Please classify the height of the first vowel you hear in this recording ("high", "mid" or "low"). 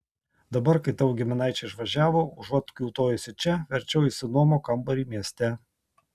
low